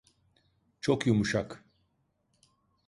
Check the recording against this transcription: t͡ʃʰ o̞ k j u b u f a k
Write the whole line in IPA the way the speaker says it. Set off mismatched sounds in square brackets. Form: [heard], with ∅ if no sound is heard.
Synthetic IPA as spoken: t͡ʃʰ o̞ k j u [m] u [ʃ] a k

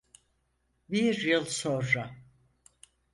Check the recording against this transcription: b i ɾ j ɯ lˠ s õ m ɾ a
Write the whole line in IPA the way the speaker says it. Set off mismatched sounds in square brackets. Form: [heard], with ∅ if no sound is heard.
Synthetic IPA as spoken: b i ɾ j ɯ lˠ s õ [n] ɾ a

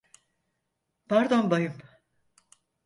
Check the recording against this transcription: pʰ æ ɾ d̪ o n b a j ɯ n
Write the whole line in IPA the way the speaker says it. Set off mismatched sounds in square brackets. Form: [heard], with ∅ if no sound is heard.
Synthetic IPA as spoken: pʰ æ ɾ d̪ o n b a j ɯ [m]

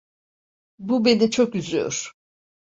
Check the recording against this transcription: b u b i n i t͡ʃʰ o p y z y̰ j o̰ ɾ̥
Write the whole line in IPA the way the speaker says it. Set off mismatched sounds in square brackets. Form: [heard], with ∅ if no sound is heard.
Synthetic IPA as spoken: b u b [e] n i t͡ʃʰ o [k] y z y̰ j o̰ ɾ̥

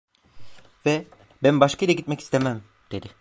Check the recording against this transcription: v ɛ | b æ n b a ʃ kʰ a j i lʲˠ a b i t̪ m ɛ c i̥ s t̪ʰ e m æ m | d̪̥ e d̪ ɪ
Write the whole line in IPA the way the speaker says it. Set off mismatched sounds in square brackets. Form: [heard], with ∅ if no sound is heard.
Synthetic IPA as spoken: v ɛ | b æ n b a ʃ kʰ a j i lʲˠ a [ɟ] i t̪ m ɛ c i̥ s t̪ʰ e m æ m | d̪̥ e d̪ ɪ

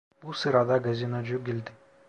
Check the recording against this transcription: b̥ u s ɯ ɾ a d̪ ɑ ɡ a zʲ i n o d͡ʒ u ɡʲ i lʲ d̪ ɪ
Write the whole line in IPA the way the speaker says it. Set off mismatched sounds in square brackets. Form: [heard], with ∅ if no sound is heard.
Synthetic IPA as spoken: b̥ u s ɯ ɾ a d̪ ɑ ɡ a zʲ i n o d͡ʒ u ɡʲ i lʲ d̪ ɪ

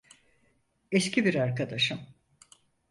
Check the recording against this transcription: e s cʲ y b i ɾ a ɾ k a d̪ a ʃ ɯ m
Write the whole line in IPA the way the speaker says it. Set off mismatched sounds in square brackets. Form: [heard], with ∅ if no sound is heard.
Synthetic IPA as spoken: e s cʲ [i] b i ɾ a ɾ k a d̪ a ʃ ɯ m

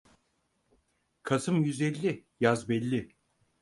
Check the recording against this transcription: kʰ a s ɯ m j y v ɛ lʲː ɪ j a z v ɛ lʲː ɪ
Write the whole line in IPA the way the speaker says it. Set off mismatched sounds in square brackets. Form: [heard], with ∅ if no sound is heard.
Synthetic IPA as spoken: kʰ a s ɯ m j y [z] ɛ lʲː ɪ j a z [b] ɛ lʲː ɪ

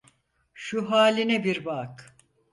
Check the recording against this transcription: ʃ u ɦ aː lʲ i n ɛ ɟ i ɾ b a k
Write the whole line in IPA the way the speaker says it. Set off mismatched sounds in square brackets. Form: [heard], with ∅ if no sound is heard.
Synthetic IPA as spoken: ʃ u ɦ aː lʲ i n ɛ [b] i ɾ b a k

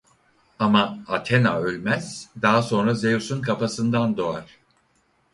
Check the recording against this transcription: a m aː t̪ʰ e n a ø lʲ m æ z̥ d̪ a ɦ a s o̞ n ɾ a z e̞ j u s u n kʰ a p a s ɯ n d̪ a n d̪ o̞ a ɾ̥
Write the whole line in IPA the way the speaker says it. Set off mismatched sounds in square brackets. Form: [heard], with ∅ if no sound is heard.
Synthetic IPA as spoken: a m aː t̪ʰ e n a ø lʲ m æ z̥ d̪ a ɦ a s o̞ n ɾ a z e̞ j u s u n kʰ a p a s ɯ n d̪ a n d̪ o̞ a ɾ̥

